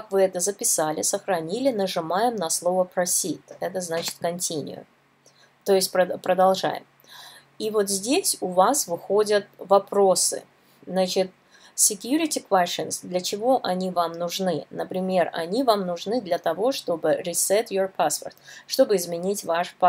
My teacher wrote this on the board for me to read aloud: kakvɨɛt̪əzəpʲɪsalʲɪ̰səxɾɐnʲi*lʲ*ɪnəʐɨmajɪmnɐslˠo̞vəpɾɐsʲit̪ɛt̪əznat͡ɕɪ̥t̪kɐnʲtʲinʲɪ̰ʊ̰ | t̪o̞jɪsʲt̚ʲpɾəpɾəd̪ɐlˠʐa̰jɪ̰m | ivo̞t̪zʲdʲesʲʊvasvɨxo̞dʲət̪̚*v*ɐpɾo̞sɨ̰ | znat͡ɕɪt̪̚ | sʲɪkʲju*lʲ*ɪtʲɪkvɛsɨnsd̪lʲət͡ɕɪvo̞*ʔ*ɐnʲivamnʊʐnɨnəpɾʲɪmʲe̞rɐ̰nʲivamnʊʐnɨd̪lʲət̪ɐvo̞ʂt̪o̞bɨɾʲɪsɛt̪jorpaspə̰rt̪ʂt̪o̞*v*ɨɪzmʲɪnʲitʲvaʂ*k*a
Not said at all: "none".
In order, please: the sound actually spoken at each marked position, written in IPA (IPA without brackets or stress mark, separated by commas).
lʲ, v, ɾʲ, ʔ, b, p